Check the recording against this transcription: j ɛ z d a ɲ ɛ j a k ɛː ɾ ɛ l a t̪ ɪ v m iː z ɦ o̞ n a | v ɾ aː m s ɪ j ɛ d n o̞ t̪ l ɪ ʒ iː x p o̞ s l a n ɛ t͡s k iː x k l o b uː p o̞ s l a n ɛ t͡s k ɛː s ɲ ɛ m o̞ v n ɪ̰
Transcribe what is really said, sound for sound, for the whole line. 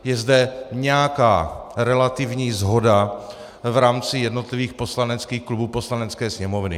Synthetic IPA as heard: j ɛ z d ɛ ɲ ɛ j a k aː ɾ ɛ l a t̪ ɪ v ɲ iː z ɦ o̞ d a | v ɾ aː m t͡s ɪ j ɛ d n o̞ t̪ l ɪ v iː x p o̞ s l a n ɛ t͡s k iː x k l u b uː p o̞ s l a n ɛ t͡s k ɛː s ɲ ɛ m o̞ v n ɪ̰

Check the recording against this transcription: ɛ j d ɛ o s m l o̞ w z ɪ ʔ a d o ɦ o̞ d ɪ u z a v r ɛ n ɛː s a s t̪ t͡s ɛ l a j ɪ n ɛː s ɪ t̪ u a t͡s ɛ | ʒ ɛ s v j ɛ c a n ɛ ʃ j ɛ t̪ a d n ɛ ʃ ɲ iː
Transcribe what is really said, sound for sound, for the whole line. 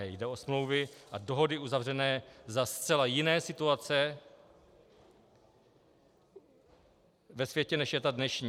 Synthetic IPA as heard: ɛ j d ɛ o s m l o̞ w v ɪ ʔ a d o ɦ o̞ d ɪ u z a v r ɛ n ɛː z a s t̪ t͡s ɛ l a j ɪ n ɛː s ɪ t̪ u a t͡s ɛ | v ɛ s v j ɛ c ɛ n ɛ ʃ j ɛ t̪ a d n ɛ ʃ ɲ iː

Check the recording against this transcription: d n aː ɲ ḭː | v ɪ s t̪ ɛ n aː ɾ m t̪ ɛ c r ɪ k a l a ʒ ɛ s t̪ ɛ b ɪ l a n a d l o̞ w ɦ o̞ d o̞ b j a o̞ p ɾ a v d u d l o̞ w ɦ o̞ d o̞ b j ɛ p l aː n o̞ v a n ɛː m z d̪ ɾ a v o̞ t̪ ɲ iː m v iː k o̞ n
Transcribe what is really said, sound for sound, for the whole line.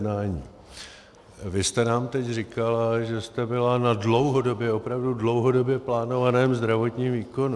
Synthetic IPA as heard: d n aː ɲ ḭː | v ɪ s t̪ ɛ n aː m t̪ ɛ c r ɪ k a l a ʒ ɛ s t̪ ɛ b ɪ l a n a d l o̞ w ɦ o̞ d o̞ b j ɛ o̞ p ɾ a v d u d l o̞ w ɦ o̞ d o̞ b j ɛ p l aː n o̞ v a n ɛː m z d̪ ɾ a v o̞ t̪ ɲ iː m v iː k o̞ n

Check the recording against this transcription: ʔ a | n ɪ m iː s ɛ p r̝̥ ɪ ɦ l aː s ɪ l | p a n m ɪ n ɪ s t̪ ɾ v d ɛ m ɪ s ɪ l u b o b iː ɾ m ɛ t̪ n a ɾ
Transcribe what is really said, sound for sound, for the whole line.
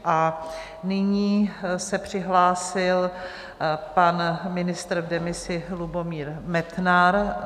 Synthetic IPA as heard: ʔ a | n ɪ ɲ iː s ɛ p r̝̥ ɪ ɦ l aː s ɪ l | p a n m ɪ n ɪ s t̪ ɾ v d ɛ m ɪ s ɪ l u b o m iː ɾ m ɛ t̪ n a ɾ

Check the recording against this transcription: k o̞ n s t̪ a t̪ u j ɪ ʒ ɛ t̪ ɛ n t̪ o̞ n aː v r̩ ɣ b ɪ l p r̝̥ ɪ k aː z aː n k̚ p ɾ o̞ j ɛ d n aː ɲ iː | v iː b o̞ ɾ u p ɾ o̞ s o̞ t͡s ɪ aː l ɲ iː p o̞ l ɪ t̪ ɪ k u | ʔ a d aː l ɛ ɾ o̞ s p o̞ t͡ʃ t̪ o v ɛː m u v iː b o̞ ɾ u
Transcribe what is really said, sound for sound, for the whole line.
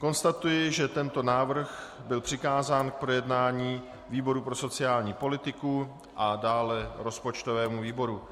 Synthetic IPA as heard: k o̞ n s t̪ a t̪ u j ɪ ʒ ɛ t̪ ɛ n t̪ o̞ n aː v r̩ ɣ b ɪ l p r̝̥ ɪ k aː z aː n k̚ p ɾ o̞ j ɛ d n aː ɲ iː | v iː b o̞ ɾ u p ɾ o̞ s o̞ t͡s ɪ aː l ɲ iː p o̞ l ɪ t̪ ɪ k u | ʔ a d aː l ɛ ɾ o̞ s p o̞ t͡ʃ t̪ o v ɛː m u v iː b o̞ ɾ u

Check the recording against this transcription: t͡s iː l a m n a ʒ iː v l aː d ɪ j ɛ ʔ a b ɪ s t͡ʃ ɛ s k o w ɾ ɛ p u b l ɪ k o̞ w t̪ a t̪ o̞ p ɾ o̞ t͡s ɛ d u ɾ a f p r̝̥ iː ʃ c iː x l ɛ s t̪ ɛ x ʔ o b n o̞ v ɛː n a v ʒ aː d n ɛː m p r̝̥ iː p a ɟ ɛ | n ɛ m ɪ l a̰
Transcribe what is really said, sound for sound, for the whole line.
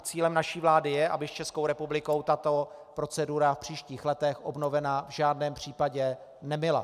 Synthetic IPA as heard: t͡s iː l ɛ m n a ʃ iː v l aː d ɪ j ɛ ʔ a b ɪ s t͡ʃ ɛ s k o w ɾ ɛ p u b l ɪ k o̞ w t̪ a t̪ o̞ p ɾ o̞ t͡s ɛ d u ɾ a f p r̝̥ iː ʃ c iː x l ɛ t̪ ɛ x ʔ o b n o̞ v ɛ n a v ʒ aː d n ɛː m p r̝̥ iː p a ɟ ɛ | n ɛ m ɪ l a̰

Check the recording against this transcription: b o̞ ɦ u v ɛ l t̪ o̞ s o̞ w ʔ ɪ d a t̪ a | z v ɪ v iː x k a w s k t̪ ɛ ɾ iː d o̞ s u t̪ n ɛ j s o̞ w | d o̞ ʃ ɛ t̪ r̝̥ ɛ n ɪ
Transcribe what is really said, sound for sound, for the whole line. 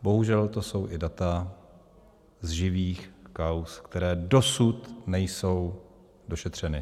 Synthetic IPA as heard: b o̞ ɦ u ʒ ɛ l t̪ o̞ s o̞ w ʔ ɪ d a t̪ a | z ʒ ɪ v iː x k a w s k t̪ ɛ ɾ ɛː d o̞ s u t̪ n ɛ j s o̞ w | d o̞ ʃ ɛ t̪ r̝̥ ɛ n ɪ

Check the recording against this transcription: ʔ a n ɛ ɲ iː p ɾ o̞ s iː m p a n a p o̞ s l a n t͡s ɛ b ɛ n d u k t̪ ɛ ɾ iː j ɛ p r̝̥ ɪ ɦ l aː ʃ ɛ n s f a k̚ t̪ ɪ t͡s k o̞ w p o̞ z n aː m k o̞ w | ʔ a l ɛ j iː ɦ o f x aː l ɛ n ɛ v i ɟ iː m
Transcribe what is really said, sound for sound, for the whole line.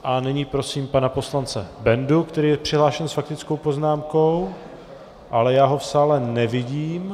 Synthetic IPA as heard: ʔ a n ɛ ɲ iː p ɾ o̞ s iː m p a n a p o̞ s l a n t͡s ɛ b ɛ n d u k t̪ ɛ ɾ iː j ɛ p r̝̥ ɪ ɦ l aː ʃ ɛ n s f a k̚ t̪ ɪ t͡s k o̞ w p o̞ z n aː m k o̞ w | ʔ a l ɛ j aː ɦ o f s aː l ɛ n ɛ v ɪ ɟ iː m

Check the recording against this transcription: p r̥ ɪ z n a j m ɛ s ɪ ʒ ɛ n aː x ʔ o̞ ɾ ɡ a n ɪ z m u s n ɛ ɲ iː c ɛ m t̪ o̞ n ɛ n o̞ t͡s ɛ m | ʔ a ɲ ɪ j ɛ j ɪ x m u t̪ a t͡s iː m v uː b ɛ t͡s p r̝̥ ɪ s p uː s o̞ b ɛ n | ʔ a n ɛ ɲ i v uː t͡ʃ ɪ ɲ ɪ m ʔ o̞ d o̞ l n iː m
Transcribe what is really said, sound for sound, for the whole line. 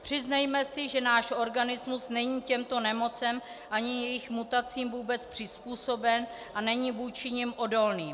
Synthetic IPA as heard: p r̥ ɪ z n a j m ɛ s ɪ ʒ ɛ n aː ʃ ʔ o̞ ɾ ɡ a n ɪ z m u s n ɛ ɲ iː c ɛ m t̪ o̞ n ɛ m o̞ t͡s ɛ m | ʔ a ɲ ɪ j ɛ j ɪ x m u t̪ a t͡s iː m v uː b ɛ t͡s p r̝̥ ɪ s p uː s o̞ b ɛ n | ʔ a n ɛ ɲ i v uː t͡ʃ ɪ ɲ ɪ m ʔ o̞ d o̞ l n iː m

